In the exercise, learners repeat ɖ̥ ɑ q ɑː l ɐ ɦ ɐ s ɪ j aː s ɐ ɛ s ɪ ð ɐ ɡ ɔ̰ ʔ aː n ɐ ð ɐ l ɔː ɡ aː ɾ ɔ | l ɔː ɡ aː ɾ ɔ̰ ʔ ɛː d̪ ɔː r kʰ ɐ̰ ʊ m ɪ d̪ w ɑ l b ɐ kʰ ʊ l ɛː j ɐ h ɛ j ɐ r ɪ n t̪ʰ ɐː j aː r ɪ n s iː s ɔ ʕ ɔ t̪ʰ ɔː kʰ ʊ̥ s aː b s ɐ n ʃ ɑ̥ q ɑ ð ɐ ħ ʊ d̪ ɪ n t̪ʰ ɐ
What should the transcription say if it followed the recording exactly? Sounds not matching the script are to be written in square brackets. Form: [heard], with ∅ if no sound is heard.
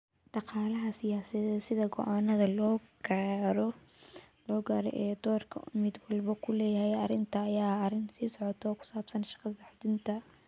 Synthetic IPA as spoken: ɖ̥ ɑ q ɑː l ɐ ɦ ɐ s ɪ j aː s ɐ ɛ s ɪ ð ɐ ɡ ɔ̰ ʔ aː n ɐ ð ɐ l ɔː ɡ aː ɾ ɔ | l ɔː ɡ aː ɾ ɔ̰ ʔ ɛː d̪ ɔː r kʰ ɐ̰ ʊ m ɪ d̪ w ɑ l b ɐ kʰ ʊ l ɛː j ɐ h ɛ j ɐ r ɪ n t̪ʰ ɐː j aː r ɪ n s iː s ɔ ʕ ɔ t̪ʰ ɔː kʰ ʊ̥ s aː b s ɐ n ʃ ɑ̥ q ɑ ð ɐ ħ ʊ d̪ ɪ n t̪ʰ ɐ